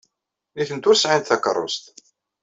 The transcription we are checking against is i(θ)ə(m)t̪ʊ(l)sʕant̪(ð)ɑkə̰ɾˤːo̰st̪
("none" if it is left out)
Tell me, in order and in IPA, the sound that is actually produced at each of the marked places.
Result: θ, n, ɾ, θ

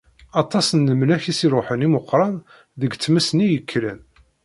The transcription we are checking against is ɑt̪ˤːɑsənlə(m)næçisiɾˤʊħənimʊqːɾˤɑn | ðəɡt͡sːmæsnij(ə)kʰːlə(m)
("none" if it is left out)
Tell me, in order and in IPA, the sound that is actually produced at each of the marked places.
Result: m, ə, n

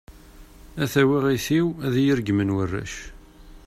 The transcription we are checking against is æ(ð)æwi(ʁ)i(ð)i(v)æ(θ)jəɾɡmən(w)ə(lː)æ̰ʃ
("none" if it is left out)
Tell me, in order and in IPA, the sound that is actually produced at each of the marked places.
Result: θ, ʁ, θ, w, ð, w, rː

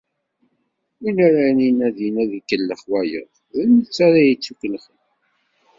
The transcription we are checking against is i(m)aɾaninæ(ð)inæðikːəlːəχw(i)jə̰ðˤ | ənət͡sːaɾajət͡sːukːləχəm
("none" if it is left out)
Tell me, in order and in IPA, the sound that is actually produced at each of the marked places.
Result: n, ð, æ

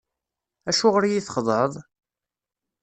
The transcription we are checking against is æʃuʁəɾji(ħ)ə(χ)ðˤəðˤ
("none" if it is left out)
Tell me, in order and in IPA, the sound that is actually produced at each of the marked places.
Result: θ, χ

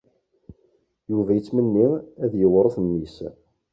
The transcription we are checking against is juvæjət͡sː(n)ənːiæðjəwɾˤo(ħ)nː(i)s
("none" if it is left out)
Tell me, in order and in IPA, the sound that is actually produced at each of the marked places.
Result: m, θ, i

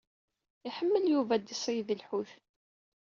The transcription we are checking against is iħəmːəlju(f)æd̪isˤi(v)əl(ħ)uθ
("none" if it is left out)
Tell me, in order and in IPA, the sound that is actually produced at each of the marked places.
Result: v, ð, ħ

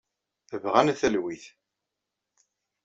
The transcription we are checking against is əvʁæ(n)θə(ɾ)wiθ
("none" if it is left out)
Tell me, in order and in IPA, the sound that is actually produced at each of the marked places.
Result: n, l

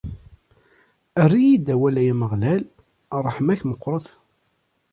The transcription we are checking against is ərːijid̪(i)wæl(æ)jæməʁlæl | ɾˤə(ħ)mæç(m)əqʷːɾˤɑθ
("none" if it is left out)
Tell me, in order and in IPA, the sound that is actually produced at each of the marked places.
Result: æ, æ, ħ, m

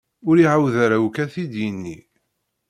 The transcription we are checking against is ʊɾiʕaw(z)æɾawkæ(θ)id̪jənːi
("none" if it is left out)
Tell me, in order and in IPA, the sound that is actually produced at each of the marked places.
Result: ð, θ

